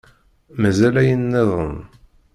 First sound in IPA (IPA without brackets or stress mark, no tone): m